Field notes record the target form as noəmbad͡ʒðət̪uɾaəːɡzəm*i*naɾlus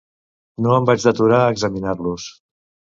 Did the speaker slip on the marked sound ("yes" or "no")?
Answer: no